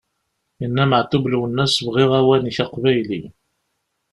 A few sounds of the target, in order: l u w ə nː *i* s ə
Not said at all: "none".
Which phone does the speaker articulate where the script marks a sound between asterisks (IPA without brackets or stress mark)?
æ